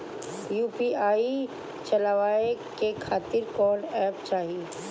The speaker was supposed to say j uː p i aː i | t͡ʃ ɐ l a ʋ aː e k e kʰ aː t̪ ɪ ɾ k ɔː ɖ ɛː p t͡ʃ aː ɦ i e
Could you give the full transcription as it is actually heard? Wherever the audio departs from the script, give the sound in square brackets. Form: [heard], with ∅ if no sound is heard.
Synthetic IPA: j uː p i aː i | t͡ʃ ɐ l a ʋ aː e k e kʰ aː t̪ ɪ ɾ k ɔː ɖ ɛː p t͡ʃ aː ɦ i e